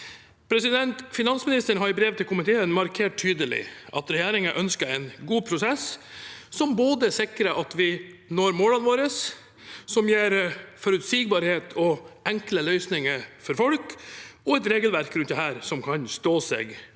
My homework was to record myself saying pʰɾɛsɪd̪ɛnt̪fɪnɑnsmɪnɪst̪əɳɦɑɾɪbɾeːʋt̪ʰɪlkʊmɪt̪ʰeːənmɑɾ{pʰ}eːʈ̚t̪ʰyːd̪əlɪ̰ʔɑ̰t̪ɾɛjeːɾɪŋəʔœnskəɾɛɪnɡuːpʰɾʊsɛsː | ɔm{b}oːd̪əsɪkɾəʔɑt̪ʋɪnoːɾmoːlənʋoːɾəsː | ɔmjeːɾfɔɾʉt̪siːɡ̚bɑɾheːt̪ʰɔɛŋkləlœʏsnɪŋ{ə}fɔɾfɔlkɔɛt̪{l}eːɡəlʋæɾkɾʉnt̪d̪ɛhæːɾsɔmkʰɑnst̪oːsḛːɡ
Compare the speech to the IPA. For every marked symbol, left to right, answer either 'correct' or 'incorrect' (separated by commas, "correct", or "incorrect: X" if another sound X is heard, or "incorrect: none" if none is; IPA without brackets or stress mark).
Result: incorrect: kʰ, correct, correct, incorrect: ɾ